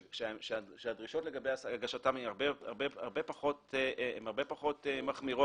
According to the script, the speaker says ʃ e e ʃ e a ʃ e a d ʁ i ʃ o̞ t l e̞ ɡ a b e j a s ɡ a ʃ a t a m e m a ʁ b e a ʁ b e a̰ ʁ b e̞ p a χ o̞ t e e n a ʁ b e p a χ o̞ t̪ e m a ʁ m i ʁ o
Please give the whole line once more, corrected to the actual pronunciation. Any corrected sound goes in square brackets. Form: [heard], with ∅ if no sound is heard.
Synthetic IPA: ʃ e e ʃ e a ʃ e a d ʁ i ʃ o̞ t l e̞ ɡ a b e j a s ɡ a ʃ a t a m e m a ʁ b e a ʁ b e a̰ ʁ b e̞ p a χ o̞ t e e [m] a ʁ b e p a χ o̞ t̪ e m a [χ] m i ʁ o